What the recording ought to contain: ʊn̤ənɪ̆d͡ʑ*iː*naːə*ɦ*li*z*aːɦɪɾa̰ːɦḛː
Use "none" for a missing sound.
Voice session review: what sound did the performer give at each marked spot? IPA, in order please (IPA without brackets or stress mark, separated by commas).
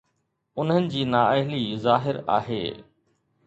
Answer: iː, ɦ, z